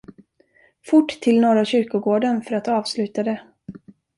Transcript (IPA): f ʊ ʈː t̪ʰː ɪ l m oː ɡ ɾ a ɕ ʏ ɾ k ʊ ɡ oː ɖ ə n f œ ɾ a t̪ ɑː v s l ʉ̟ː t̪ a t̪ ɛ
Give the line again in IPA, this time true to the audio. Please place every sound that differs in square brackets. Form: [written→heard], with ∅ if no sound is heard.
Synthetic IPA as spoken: f ʊ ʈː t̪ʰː ɪ l [m→n] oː [ɡ→∅] ɾ a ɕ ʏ ɾ k ʊ ɡ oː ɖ ə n f œ ɾ a t̪ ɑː v s l ʉ̟ː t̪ a [t̪→d̪] ɛ